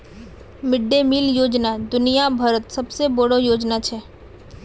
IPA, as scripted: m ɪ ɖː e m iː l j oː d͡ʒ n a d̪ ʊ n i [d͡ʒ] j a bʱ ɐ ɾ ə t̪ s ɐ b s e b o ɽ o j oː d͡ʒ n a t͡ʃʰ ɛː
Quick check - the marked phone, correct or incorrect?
incorrect